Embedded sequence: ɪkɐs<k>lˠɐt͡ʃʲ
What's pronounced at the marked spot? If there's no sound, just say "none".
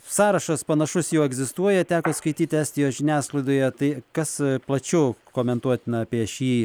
p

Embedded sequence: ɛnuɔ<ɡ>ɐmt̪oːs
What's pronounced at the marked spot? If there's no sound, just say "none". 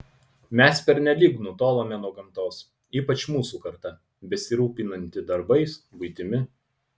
ɡ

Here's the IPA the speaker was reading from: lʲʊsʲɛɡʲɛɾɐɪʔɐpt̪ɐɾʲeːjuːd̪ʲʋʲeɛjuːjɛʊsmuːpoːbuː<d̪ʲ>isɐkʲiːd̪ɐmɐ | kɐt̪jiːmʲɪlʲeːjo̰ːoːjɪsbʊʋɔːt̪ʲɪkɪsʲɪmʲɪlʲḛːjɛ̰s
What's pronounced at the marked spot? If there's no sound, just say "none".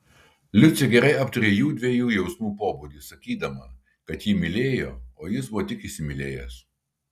d̪ʲ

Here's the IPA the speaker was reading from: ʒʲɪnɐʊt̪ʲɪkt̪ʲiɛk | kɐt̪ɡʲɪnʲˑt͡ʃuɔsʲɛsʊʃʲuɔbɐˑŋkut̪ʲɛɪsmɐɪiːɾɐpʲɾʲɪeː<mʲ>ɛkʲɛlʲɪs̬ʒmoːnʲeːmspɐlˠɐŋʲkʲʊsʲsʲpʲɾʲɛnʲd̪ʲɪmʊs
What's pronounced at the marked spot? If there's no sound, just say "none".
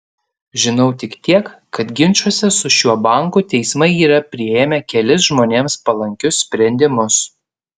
mʲ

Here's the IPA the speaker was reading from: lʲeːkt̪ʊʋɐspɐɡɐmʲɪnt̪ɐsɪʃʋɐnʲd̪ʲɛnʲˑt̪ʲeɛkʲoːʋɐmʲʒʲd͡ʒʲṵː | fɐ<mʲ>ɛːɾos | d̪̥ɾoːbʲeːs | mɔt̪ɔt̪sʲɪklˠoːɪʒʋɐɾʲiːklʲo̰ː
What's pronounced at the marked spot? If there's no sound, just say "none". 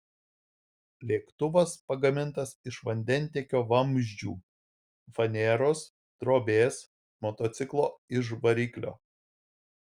nʲ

